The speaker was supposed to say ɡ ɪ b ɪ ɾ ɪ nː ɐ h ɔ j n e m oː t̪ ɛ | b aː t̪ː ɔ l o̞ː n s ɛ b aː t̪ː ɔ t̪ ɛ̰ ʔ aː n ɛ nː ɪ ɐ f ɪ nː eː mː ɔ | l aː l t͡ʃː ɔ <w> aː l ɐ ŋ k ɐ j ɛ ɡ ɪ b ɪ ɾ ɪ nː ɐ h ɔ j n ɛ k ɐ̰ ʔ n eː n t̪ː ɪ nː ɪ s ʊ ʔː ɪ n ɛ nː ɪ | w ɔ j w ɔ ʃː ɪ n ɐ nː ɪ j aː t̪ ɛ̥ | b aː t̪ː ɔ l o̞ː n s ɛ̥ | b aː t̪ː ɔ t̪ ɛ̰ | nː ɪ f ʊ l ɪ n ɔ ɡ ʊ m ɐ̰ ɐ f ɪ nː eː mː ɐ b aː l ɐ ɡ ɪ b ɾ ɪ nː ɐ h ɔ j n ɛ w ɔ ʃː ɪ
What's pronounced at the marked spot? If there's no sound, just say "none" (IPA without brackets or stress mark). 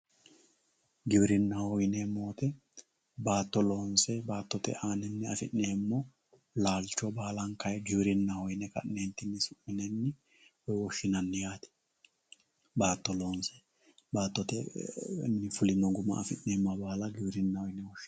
b